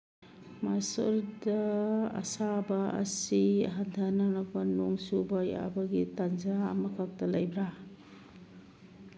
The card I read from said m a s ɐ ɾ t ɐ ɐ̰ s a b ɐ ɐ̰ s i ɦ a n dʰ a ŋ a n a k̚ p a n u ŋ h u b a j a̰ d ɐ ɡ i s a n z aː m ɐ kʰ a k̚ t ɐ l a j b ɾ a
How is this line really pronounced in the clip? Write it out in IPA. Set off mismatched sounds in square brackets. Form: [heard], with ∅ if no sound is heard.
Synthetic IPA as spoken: m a s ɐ ɾ [d] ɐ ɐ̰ s a b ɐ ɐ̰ s i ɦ a n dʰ a [n] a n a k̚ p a n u ŋ [s] u b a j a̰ [b] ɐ ɡ i [t] a n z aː m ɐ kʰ a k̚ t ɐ l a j b ɾ a

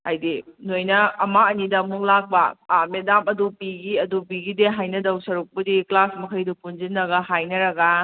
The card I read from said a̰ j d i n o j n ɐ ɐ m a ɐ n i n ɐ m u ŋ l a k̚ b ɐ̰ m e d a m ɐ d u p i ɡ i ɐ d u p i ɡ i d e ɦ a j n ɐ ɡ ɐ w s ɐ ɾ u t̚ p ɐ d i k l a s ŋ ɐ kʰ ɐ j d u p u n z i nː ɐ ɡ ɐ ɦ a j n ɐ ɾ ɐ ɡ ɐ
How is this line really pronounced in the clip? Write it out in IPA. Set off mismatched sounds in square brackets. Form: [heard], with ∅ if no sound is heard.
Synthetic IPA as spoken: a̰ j d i n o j n ɐ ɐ m a ɐ n i [d] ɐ m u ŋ l a k̚ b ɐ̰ m e d a m ɐ d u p i ɡ i ɐ d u p i ɡ i d e ɦ a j n ɐ [d] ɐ w s ɐ ɾ u [k̚] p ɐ d i k l a s [m] ɐ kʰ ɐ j d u p u n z i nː ɐ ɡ ɐ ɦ a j n ɐ ɾ ɐ ɡ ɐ

